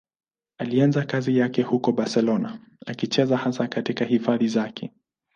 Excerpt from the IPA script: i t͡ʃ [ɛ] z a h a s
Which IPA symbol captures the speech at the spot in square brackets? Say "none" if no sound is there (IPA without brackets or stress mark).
ɛ